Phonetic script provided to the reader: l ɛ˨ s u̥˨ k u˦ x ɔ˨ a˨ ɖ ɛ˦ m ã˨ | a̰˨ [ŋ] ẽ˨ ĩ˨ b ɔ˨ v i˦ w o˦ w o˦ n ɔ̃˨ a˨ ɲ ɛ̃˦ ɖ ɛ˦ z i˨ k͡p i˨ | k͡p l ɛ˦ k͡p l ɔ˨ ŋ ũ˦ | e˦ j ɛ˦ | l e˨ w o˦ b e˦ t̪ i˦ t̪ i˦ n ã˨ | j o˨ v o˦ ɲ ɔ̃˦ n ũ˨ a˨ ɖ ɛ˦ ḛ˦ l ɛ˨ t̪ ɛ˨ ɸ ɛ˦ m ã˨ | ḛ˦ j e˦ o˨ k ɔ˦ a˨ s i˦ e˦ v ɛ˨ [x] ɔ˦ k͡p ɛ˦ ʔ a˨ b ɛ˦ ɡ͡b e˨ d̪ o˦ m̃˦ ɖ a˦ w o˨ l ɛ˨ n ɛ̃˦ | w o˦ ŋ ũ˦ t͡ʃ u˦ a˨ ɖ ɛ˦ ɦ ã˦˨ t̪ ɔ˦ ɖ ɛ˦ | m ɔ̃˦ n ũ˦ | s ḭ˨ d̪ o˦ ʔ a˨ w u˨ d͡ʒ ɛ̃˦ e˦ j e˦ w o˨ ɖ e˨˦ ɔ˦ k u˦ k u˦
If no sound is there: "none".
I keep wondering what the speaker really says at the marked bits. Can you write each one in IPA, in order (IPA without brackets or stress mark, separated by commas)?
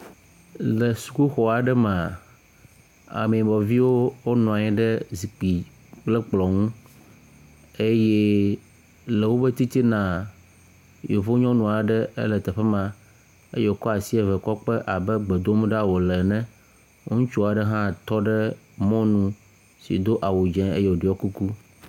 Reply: m, k